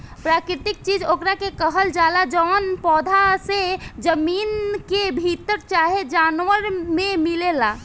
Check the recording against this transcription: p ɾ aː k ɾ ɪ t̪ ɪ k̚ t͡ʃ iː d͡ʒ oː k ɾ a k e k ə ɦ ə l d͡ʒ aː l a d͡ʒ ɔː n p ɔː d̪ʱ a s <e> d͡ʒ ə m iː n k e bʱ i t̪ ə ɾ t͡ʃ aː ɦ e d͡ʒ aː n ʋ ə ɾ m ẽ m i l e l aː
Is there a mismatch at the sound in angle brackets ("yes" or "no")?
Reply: no